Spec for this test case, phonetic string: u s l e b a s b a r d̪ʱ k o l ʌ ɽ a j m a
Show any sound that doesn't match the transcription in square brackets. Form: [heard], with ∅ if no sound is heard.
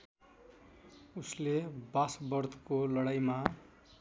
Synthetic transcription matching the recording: u s l e b a s b [ʌ] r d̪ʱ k o l ʌ ɽ a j m a